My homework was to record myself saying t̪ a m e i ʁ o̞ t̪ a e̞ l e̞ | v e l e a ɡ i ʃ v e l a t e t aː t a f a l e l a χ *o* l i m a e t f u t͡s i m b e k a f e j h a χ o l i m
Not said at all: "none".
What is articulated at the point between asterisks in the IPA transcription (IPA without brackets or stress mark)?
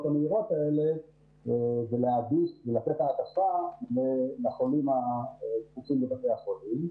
o